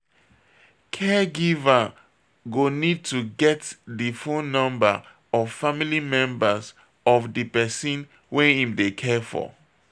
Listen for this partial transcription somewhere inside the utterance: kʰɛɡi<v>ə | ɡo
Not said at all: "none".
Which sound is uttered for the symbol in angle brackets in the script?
v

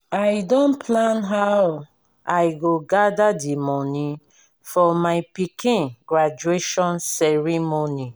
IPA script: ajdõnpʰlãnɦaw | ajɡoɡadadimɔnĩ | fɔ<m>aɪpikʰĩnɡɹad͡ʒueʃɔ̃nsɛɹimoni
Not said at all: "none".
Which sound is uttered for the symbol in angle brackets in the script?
m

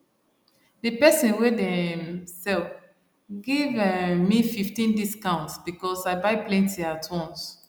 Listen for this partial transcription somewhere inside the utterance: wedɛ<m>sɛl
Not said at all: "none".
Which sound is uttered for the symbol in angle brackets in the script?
m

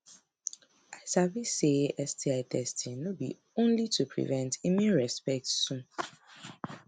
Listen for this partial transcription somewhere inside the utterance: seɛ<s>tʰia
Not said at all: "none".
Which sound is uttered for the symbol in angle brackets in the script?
s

